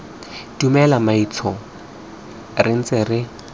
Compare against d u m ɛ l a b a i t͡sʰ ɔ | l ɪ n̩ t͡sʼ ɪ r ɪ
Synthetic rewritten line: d u m ɛ l a m a i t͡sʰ ɔ | r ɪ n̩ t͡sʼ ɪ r ɪ